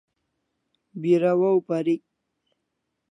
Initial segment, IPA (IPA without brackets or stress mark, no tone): b